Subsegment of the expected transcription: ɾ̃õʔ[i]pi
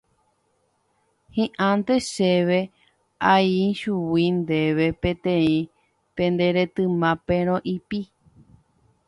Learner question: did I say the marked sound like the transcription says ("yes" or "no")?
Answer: yes